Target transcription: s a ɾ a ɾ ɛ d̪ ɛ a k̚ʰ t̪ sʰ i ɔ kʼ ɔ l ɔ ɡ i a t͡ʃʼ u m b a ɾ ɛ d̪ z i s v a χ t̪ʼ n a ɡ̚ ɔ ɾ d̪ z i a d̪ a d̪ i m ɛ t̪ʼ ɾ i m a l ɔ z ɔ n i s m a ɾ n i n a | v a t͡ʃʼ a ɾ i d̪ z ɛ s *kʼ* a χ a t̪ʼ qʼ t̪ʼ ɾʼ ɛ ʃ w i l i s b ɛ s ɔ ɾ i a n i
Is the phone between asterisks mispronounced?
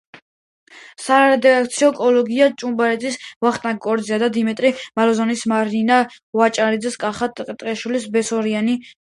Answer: no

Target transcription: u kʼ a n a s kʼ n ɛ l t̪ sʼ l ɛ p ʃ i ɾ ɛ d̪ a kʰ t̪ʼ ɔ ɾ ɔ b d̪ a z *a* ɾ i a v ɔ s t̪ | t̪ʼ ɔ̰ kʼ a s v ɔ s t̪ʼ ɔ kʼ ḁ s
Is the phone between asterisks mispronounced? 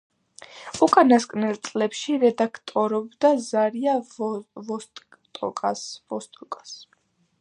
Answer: no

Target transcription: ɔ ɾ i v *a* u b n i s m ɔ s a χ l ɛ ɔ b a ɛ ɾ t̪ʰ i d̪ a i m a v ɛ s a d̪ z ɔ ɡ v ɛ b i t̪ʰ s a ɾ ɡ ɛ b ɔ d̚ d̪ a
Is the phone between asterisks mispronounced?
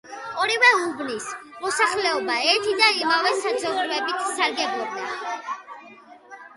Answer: yes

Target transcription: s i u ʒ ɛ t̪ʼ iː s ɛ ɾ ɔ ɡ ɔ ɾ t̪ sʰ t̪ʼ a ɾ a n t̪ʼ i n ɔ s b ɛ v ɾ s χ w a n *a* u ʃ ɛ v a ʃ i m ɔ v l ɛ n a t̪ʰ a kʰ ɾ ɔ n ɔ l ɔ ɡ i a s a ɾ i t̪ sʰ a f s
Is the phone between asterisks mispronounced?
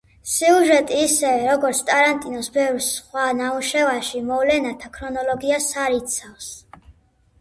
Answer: no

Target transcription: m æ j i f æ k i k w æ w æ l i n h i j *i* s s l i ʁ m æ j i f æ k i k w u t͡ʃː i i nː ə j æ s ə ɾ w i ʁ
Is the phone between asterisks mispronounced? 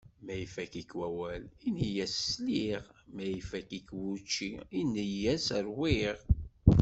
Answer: yes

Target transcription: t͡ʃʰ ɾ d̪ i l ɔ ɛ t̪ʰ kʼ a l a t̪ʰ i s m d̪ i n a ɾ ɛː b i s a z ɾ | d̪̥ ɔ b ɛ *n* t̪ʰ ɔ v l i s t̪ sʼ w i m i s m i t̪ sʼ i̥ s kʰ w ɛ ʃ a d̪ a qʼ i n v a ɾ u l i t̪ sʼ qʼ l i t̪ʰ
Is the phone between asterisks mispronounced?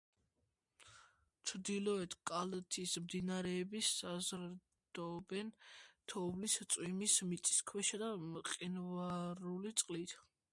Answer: no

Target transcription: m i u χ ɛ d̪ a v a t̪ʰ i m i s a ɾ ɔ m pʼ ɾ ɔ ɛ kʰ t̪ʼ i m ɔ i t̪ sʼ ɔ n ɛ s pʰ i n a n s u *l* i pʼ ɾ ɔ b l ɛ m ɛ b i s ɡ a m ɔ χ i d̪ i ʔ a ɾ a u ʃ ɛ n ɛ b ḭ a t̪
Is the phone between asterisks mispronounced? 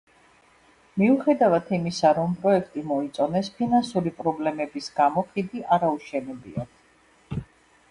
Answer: yes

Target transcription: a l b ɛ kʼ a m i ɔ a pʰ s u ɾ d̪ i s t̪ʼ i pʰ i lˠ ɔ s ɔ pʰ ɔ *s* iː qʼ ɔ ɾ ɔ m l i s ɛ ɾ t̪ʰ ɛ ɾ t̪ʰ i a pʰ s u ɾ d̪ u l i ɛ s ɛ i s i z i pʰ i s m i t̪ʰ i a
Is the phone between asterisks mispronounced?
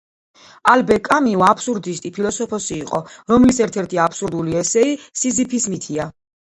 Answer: no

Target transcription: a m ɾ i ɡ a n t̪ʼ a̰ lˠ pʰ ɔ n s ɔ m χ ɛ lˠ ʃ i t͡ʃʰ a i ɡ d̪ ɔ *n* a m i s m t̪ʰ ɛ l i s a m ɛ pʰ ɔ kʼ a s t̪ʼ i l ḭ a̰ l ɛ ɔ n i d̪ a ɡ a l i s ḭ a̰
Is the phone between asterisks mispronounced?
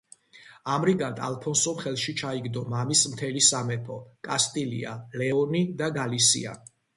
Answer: yes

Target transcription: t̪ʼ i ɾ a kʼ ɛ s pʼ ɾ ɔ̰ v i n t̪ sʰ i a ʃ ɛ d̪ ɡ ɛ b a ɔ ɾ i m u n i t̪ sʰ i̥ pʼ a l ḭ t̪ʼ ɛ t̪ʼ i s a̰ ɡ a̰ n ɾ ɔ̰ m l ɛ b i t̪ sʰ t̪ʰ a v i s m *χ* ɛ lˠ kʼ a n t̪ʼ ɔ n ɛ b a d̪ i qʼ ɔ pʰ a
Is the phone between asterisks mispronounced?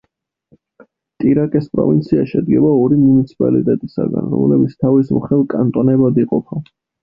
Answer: no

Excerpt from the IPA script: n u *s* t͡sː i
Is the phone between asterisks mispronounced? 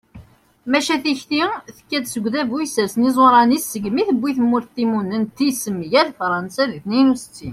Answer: no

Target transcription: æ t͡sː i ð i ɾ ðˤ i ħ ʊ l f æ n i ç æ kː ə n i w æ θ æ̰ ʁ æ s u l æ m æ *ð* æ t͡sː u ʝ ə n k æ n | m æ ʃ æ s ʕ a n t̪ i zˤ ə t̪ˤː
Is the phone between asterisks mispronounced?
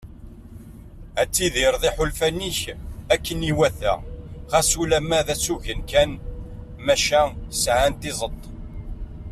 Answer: no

